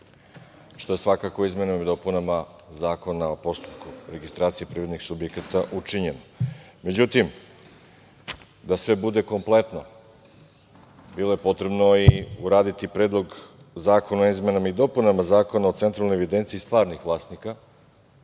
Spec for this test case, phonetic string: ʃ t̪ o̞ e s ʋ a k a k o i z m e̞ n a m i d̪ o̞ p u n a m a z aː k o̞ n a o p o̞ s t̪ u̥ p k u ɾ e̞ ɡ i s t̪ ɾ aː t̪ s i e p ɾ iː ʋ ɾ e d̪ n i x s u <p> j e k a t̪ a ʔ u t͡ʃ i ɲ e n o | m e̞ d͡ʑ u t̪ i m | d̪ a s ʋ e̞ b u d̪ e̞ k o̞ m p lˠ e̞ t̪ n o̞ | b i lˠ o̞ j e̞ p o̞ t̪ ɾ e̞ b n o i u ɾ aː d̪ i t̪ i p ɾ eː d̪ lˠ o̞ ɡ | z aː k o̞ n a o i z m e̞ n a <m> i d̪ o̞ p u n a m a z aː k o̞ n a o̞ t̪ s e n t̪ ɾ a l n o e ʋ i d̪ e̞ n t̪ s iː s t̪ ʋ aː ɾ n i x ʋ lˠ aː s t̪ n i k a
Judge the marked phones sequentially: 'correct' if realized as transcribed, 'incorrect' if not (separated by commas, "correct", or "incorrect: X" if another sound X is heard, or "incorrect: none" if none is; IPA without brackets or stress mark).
incorrect: b, correct